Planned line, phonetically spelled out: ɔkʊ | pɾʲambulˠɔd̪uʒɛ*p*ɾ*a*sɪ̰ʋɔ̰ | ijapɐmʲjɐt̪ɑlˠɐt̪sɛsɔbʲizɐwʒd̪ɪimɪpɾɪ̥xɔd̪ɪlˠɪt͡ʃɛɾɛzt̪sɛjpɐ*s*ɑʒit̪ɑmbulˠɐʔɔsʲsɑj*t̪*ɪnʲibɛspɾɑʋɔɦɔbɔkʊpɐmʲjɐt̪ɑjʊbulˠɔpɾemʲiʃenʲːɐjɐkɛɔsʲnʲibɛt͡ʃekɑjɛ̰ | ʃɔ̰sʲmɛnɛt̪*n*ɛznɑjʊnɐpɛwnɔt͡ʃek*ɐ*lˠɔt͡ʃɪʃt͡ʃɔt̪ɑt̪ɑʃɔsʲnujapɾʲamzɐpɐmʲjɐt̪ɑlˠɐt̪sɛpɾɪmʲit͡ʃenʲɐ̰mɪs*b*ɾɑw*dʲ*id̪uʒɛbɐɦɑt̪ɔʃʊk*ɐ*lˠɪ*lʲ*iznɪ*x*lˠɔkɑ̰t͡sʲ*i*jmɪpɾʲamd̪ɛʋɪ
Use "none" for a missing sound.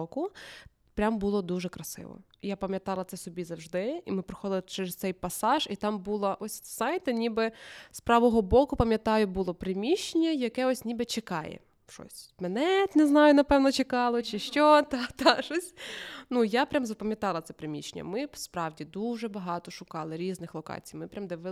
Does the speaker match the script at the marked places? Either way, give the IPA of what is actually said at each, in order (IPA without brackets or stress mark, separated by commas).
k, ɐ, s, t̪, n, ɑ, p, dʲ, ɑ, ɾʲ, x, i